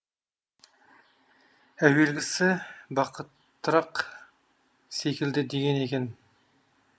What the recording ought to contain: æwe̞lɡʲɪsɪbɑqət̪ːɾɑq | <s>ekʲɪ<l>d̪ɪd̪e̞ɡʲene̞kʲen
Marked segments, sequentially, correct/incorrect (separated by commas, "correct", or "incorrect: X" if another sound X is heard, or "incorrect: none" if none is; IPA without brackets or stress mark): correct, correct